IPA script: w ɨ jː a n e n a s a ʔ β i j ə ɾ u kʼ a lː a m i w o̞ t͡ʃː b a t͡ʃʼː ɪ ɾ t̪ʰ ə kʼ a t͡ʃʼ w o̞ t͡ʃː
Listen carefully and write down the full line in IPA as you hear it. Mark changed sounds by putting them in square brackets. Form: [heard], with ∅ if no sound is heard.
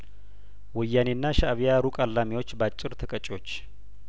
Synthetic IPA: w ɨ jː a n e [nː] a [ʃ] a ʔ β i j [a] ɾ u kʼ a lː a m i w o̞ t͡ʃː b a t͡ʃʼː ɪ ɾ t̪ʰ ə kʼ [ə] t͡ʃʼ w o̞ t͡ʃː

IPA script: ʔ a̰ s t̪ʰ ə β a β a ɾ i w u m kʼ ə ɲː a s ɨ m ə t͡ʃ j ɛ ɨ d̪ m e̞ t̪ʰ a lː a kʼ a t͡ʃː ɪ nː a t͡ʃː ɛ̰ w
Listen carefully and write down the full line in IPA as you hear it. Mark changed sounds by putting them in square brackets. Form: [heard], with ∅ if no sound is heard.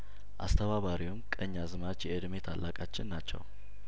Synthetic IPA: ʔ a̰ s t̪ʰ ə β a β a ɾ i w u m kʼ ə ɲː a [z] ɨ m [a] t͡ʃ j ɛ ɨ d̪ m e̞ t̪ʰ a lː a kʼ a t͡ʃː ɪ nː a t͡ʃː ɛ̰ w

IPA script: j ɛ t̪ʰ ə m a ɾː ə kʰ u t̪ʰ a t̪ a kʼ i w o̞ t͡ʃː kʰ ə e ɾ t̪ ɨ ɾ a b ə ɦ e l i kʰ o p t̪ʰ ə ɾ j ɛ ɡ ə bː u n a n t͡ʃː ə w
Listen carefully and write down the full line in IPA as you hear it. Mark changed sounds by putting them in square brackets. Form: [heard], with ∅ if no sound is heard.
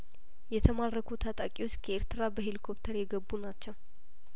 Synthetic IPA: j ɛ t̪ʰ ə m a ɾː ə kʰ u t̪ʰ a [t̪ʼ] a kʼ i w o̞ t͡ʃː kʰ ə e ɾ t̪ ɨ ɾ a b ə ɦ e l i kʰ o p t̪ʰ ə ɾ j ɛ ɡ ə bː u n a [∅] t͡ʃː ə w

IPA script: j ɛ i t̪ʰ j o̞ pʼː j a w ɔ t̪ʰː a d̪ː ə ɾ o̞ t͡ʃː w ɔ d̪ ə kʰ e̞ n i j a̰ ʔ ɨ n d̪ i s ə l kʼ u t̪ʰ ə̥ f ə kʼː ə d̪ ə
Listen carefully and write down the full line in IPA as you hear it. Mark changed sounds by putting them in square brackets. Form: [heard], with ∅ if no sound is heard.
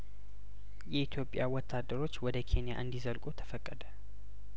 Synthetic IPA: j ɛ i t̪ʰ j o̞ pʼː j a w ɔ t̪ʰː a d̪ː ə ɾ o̞ t͡ʃː w ɔ d̪ ə kʰ e̞ n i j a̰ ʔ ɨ n d̪ i [z] ə l kʼ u t̪ʰ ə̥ f ə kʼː ə d̪ ə

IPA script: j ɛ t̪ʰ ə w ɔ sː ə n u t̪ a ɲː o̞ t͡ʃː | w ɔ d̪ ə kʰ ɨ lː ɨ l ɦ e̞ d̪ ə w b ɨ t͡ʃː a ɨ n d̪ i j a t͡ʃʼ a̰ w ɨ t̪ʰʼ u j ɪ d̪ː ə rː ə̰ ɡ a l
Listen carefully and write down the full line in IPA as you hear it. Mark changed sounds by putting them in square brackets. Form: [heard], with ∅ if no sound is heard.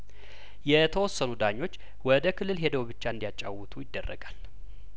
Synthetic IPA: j ɛ t̪ʰ ə w ɔ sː ə n u [d̪] a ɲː o̞ t͡ʃː | w ɔ d̪ ə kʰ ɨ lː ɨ l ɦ e̞ d̪ ə w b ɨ t͡ʃː a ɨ n d̪ i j a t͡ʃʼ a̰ w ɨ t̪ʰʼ u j ɪ d̪ː ə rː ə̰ ɡ a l

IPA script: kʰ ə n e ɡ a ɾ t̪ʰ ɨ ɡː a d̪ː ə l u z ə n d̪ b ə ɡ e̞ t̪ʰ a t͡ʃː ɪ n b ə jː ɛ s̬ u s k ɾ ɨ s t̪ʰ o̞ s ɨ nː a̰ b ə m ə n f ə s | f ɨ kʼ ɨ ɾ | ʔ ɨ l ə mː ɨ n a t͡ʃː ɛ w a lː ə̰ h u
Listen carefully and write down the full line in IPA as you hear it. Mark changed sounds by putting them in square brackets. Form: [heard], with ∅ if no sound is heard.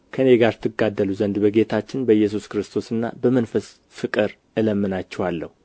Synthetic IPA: kʰ ə n e ɡ a ɾ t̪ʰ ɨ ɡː a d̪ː ə l u z ə n d̪ b ə ɡ e̞ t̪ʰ a t͡ʃː ɪ n b ə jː ɛ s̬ u s k ɾ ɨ s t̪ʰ o̞ s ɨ nː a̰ b ə m ə n f ə s | f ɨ kʼ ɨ ɾ | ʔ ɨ l ə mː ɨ n a t͡ʃː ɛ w a lː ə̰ h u

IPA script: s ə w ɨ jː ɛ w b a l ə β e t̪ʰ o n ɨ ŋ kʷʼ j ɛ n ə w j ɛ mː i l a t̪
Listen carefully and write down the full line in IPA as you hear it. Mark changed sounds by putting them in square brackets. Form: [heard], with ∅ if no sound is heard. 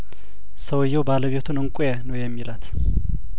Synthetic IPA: s ə w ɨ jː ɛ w b a l ə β e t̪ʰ [u] n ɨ ŋ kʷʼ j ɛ n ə w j ɛ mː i l a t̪

